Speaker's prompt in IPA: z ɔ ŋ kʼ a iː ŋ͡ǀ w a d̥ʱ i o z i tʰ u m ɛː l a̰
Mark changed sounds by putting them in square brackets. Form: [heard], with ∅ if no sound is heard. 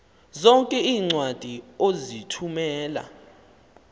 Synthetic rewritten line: z ɔ ŋ kʼ [ɛ] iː ŋ͡ǀ w a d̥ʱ i o z i tʰ u m ɛː l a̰